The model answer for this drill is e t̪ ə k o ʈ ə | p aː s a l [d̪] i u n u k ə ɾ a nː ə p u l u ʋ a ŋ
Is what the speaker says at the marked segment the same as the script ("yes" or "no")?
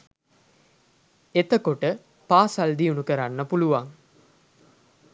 yes